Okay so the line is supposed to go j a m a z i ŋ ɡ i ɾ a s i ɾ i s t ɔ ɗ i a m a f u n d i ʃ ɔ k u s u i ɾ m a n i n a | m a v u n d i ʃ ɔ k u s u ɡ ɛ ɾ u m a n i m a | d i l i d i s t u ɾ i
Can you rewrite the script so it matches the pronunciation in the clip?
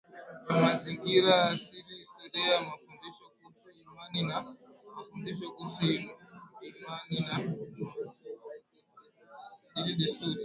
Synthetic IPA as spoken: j a m a z i ŋ ɡ i ɾ a s i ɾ i s t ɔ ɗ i a m a f u n d i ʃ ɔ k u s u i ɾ m a n i n a | m a f u n d i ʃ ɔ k u s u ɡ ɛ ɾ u m a n i n a | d i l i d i s t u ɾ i